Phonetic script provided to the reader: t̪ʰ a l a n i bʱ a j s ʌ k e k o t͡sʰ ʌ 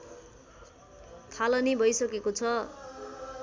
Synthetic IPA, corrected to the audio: t̪ʰ a l ʌ n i bʱ ʌ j s ʌ k e k o t͡sʰ ʌ